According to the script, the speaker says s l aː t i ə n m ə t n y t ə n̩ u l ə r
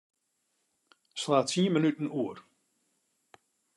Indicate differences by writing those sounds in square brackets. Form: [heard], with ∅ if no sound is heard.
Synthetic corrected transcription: s l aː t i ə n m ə [∅] n y t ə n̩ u [∅] ə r

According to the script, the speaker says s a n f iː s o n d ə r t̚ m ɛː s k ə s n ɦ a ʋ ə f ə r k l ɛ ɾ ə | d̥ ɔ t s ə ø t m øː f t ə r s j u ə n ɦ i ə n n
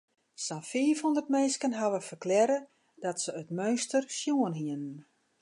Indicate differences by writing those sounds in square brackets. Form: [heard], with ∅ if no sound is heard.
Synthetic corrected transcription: s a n f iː [f] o n d ə r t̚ m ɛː s k ə [∅] n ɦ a ʋ ə f ə r k l ɛ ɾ ə | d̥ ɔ t s ə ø t m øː [s] t ə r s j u ə n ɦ i ə n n

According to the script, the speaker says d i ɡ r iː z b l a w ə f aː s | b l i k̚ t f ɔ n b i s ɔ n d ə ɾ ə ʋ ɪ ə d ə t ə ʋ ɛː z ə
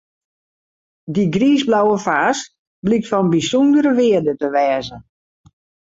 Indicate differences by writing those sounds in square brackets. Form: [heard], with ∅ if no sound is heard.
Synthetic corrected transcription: d i ɡ r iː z b l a w ə f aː s | b l i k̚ t f ɔ n b i s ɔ n d ə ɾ ə ʋ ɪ ə d ə t ə ʋ ɛː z ə

